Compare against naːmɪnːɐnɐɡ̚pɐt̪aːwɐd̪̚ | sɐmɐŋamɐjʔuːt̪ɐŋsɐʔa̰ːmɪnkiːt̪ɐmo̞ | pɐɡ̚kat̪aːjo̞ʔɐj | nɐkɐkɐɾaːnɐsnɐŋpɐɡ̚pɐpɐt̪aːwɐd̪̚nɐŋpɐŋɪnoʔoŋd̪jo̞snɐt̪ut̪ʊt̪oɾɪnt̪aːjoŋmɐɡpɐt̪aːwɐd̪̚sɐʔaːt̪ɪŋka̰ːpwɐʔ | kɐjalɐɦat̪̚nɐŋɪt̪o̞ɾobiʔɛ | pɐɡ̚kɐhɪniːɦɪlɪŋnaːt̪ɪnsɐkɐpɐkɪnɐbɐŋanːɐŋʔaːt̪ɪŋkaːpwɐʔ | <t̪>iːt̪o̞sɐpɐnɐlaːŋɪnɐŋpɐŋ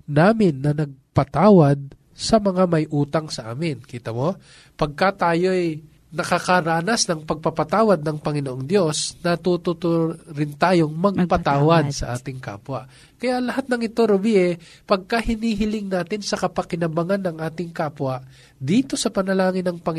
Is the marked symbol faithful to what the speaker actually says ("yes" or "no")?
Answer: no